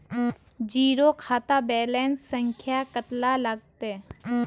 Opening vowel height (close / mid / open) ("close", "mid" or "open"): close